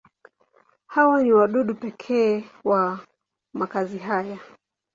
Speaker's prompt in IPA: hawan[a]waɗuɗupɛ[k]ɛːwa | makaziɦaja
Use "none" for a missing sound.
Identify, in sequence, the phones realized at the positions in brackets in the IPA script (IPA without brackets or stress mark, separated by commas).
i, kʰ